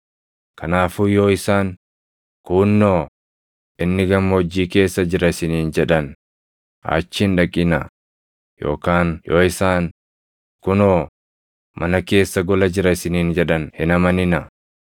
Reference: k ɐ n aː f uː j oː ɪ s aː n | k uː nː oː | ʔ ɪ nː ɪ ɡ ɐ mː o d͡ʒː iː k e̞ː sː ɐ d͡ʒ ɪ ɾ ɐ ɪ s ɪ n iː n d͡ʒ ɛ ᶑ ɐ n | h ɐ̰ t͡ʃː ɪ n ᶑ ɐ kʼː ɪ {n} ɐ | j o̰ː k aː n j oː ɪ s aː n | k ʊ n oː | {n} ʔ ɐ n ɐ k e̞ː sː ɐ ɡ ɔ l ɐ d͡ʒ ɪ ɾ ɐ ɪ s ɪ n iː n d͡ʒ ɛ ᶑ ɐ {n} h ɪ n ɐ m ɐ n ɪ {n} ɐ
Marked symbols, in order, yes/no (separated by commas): yes, no, yes, yes